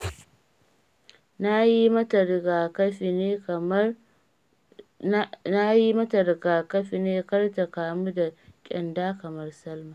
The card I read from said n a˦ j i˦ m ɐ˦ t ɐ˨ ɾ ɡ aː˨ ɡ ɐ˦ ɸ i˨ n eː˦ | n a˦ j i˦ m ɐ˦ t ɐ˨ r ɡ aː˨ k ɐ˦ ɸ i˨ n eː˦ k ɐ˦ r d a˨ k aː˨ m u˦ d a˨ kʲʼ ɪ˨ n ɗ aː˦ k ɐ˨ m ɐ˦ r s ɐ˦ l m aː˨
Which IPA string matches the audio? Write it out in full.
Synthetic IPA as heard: n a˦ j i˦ m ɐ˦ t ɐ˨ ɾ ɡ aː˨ k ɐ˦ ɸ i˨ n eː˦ | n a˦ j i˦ m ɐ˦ t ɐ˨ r ɡ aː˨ k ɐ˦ ɸ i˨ n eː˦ k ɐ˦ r t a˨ k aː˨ m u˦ d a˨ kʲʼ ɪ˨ n d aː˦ k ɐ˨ m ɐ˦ r s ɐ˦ l m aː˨